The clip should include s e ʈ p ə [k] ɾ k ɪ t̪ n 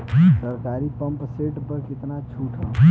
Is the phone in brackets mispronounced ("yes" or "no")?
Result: yes